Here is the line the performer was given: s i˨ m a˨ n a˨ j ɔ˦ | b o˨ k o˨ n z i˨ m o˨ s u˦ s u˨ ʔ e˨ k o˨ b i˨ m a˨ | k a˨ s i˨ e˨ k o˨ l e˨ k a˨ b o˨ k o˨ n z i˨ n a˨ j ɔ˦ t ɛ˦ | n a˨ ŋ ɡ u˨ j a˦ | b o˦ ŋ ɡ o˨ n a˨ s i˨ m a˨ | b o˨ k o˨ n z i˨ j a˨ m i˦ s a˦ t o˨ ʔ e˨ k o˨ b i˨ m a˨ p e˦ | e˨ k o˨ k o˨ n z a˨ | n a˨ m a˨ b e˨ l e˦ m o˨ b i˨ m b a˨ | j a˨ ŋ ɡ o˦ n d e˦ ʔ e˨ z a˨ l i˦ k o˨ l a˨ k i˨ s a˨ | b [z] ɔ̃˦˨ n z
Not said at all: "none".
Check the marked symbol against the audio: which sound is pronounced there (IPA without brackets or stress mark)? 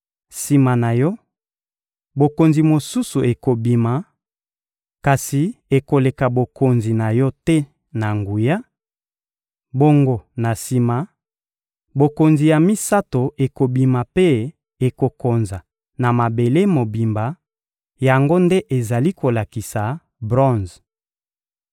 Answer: ʁ